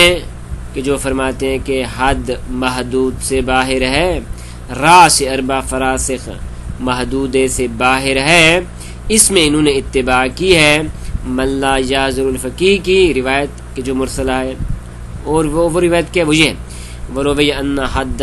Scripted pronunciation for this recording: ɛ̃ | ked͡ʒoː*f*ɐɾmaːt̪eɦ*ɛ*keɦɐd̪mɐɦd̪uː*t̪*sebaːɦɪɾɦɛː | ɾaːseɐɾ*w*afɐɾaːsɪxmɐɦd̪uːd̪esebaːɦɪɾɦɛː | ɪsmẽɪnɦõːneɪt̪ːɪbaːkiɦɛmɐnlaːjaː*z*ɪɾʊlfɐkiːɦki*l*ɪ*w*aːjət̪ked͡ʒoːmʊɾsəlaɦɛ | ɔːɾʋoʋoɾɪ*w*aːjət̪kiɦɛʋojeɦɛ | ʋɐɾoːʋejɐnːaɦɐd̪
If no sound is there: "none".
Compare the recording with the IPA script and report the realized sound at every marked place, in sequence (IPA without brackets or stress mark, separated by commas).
f, ɛ̃, d̪, b, z, ɾ, ʋ, ʋ